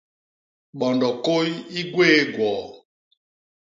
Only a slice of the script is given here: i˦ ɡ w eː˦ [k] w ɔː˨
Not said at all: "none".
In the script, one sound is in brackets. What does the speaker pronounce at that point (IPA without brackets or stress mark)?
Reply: ɡ